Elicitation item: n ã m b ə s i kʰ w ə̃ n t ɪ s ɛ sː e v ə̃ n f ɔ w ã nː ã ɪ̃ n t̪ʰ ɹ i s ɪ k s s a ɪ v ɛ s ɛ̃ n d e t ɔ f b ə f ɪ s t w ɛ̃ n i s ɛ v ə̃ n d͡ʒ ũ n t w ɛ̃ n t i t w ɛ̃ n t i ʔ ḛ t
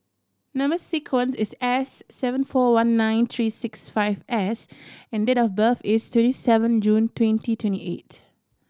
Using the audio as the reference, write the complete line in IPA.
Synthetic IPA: n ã m b ə s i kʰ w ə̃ n s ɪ s ɛ sː ɛ v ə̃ n f ɔ w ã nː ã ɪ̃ n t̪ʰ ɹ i s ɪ k s f a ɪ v ɛ s ɛ̃ n d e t ɔ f b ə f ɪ s t w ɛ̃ n i s ɛ v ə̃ n d͡ʒ ũ n t w ɛ̃ n t i t w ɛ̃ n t i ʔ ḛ t